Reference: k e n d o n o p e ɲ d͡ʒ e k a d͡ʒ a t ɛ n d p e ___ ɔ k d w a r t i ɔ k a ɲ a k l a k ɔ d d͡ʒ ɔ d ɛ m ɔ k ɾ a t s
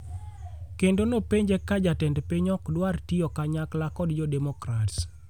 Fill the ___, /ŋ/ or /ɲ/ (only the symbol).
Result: ɲ